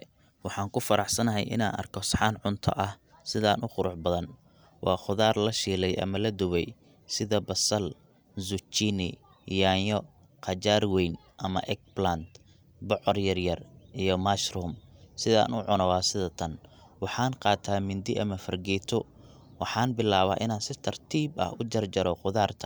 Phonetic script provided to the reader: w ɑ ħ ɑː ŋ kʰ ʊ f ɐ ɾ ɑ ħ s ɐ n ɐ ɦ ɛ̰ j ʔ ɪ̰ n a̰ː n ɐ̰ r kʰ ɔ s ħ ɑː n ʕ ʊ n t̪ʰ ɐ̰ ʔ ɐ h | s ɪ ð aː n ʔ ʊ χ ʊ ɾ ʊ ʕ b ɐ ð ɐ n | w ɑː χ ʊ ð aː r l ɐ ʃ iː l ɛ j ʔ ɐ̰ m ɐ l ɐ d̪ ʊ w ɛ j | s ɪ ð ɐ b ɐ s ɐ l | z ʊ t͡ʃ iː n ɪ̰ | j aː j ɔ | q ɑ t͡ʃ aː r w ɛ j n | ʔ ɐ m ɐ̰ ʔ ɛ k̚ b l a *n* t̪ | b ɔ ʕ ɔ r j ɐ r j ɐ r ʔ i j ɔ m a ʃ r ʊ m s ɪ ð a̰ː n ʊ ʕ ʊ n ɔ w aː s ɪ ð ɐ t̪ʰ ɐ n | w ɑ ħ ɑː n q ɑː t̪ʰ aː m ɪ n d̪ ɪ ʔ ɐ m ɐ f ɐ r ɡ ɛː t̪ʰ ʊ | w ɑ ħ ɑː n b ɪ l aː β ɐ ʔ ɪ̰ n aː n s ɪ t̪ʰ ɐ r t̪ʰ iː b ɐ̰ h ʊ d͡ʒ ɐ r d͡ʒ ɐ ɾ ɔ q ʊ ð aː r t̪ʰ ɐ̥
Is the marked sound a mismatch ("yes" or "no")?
no